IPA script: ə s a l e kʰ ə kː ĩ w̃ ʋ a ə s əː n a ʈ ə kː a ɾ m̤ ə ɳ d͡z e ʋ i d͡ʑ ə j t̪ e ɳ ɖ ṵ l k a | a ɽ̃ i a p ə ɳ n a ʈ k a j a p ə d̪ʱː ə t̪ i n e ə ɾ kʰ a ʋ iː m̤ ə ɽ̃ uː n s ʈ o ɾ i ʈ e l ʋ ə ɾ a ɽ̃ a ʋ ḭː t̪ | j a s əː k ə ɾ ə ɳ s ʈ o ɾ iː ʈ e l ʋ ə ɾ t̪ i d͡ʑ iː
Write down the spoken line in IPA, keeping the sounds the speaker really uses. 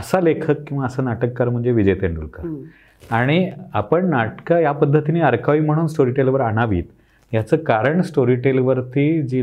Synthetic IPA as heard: ə s a l e kʰ ə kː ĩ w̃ ʋ a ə s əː n a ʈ ə kː a ɾ m̤ ə ɳ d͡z e ʋ i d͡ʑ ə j t̪ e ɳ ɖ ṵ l k a | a ɽ̃ i a p ə ɳ n a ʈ k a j a p ə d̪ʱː ə t̪ i n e ə ɾ kʰ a ʋ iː m̤ ə ɽ̃ uː n s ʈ o ɾ i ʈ e l ʋ ə ɾ a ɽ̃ a ʋ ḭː t̪ | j a t͡s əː k a ɾ ə ɳ s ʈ o ɾ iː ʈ e l ʋ ə ɾ t̪ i d͡ʑ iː